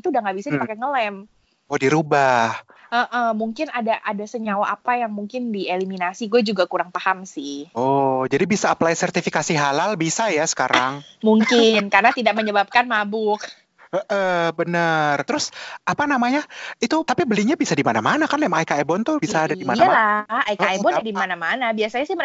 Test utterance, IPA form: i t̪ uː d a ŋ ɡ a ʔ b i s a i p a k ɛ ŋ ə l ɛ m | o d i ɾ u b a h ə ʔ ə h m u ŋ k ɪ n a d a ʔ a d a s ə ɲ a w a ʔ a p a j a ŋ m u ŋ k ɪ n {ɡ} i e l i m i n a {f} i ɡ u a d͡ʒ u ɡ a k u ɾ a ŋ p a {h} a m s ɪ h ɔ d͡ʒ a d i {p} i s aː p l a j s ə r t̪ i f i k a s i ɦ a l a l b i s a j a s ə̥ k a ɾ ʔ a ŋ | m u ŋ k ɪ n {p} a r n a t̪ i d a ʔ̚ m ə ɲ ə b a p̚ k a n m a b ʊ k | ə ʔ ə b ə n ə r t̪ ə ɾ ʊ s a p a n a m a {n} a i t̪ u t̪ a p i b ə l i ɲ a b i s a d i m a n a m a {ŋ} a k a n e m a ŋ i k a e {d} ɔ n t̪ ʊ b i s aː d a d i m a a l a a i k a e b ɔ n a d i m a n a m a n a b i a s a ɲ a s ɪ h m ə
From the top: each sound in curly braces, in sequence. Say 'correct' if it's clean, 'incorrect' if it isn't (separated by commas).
incorrect, incorrect, correct, incorrect, incorrect, incorrect, incorrect, incorrect